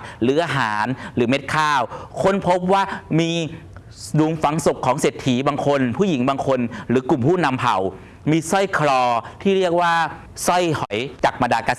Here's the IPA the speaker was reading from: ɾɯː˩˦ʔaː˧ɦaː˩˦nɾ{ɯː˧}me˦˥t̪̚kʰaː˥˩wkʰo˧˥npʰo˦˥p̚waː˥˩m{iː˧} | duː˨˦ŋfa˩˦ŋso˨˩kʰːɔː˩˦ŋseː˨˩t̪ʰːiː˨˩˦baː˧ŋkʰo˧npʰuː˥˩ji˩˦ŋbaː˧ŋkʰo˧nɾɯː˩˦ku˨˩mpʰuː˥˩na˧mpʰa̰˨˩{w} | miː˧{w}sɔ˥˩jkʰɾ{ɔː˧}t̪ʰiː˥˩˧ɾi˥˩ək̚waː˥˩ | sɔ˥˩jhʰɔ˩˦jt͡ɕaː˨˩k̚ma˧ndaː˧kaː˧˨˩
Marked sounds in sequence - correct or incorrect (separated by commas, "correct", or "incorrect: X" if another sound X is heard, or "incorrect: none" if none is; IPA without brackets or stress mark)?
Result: incorrect: ɯː˩˦, correct, correct, incorrect: none, correct